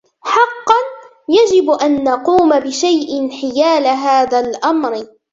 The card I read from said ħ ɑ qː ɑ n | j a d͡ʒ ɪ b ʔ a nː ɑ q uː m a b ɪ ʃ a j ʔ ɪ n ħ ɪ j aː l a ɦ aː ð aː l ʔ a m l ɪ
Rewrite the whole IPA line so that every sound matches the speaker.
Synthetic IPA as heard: ħ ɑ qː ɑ n | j a d͡ʒ ɪ b ʔ a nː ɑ q uː m a b ɪ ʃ a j ʔ ɪ n ħ ɪ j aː l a ɦ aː ð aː l ʔ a m ɾ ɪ